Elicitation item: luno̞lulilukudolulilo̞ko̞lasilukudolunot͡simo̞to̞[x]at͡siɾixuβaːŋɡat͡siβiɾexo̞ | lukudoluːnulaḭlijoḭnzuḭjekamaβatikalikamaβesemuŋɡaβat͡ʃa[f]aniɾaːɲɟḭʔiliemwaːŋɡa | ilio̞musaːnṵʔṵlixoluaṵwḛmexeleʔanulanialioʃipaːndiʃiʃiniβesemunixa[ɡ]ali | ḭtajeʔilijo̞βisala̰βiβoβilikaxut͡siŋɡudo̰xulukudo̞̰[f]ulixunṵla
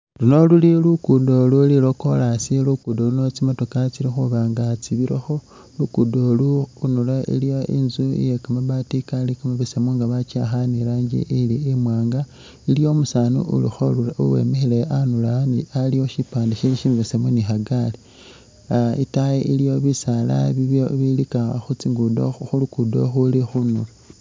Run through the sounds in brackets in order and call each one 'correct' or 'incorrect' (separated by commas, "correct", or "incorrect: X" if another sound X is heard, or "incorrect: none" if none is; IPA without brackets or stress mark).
incorrect: k, incorrect: x, correct, incorrect: x